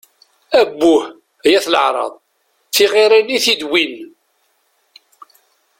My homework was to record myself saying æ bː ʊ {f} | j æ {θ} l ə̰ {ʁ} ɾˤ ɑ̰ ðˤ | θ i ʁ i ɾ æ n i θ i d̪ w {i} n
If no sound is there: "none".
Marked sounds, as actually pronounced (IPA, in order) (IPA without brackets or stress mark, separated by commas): h, θ, ʕ, i